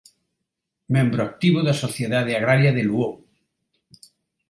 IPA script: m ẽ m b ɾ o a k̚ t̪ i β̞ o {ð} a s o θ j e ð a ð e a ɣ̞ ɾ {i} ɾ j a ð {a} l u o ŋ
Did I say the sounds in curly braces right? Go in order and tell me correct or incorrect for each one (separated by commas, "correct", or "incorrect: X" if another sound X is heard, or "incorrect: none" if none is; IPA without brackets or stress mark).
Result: correct, incorrect: a, incorrect: e